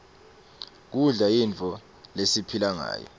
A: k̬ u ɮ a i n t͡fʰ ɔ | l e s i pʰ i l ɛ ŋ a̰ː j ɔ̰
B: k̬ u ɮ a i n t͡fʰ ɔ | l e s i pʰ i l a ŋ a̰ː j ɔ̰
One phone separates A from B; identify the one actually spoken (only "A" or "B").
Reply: B